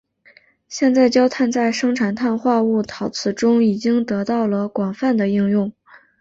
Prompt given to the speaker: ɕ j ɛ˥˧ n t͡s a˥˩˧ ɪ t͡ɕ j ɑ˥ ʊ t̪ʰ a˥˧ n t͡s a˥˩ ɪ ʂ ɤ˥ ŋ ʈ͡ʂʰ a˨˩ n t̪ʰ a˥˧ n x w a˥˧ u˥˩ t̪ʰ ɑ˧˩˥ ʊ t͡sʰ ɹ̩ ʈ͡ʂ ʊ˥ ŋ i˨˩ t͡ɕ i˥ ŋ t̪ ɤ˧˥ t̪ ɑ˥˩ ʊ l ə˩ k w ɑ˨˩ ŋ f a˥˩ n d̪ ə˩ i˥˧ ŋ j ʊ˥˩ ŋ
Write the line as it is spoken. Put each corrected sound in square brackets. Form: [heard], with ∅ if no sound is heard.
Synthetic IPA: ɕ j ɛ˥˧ n t͡s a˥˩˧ ɪ t͡ɕ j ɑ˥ ʊ t̪ʰ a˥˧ n t͡s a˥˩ ɪ ʂ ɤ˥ ŋ ʈ͡ʂʰ a˨˩ n t̪ʰ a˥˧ n x w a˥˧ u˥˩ t̪ʰ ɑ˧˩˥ ʊ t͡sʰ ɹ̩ ʈ͡ʂ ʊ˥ ŋ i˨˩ t͡ɕ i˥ ŋ t̪ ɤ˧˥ t̪ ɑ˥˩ ʊ l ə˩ k w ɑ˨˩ ŋ f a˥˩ n d̪ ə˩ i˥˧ ŋ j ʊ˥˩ ŋ